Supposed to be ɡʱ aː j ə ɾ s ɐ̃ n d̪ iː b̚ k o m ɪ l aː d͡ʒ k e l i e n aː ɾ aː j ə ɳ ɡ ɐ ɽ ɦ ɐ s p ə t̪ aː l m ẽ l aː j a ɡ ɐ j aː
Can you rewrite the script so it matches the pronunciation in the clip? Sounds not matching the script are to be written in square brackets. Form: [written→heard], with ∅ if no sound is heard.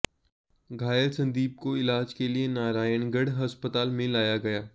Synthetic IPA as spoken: ɡʱ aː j ə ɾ s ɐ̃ n d̪ iː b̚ k o [m→∅] ɪ l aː d͡ʒ k e l i e n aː ɾ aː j ə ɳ ɡ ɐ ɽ ɦ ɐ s p ə t̪ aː l m ẽ l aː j a ɡ ɐ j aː